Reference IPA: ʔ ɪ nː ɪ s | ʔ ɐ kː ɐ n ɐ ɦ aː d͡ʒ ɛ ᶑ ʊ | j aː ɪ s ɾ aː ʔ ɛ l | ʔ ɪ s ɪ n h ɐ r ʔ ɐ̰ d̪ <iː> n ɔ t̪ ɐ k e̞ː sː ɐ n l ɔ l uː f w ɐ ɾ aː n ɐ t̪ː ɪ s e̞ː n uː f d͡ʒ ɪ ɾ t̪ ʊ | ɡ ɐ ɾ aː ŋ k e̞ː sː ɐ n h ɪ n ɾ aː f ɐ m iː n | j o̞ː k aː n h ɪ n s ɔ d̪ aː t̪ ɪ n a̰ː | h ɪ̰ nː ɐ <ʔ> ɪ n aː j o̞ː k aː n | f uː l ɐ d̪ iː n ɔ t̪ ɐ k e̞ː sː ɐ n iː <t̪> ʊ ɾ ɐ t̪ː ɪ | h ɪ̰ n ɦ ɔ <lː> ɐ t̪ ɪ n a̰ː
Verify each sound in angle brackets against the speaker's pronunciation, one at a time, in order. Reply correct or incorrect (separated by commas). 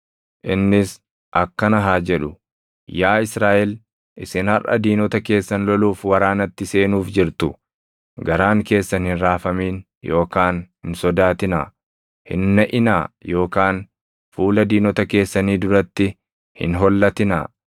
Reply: correct, correct, incorrect, correct